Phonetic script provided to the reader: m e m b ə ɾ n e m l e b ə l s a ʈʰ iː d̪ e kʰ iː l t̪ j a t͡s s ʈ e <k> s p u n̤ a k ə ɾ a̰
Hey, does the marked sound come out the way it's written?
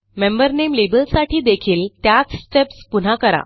no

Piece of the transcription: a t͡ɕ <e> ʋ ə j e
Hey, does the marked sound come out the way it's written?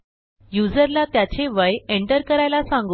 yes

